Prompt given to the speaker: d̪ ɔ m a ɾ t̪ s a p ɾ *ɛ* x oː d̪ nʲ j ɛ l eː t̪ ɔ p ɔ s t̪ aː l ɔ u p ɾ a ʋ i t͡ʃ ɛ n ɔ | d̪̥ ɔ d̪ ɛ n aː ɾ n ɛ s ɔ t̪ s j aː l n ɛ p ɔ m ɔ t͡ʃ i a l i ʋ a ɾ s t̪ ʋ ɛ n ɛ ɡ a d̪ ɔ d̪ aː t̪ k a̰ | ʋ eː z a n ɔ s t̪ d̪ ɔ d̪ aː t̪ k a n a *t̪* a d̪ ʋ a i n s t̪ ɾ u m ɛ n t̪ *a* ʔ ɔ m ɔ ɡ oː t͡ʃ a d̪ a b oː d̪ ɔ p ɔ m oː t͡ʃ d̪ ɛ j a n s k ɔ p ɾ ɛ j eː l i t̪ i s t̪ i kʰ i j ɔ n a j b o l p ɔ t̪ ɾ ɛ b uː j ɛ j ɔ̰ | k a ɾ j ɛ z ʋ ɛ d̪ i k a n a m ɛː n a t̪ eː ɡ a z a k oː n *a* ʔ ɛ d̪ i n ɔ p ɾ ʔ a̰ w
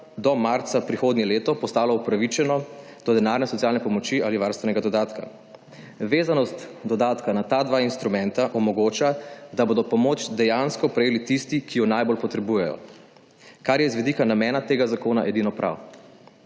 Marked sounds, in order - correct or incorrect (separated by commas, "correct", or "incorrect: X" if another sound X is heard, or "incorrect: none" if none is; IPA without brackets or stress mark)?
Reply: incorrect: i, correct, correct, correct